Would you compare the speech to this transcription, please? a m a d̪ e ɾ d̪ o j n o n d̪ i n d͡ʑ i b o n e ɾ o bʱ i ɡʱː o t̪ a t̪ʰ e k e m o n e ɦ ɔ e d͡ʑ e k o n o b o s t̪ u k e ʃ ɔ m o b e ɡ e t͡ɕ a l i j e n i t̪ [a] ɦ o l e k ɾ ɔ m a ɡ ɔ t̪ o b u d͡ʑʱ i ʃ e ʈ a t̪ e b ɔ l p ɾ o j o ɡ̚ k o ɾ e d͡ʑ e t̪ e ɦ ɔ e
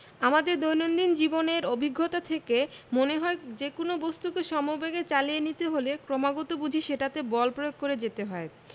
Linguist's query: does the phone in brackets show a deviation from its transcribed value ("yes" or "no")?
yes